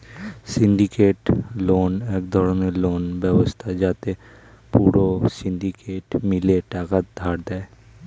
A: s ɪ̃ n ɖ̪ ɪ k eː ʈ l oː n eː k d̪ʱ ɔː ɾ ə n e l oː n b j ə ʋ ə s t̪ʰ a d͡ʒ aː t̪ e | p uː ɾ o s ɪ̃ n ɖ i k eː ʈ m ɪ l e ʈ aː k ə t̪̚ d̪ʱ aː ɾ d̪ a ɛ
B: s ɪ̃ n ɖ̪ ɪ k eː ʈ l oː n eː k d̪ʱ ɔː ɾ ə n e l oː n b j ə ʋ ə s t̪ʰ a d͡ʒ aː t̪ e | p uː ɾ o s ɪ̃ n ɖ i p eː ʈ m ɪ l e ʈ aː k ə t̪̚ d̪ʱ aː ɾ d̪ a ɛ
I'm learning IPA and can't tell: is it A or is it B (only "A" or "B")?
A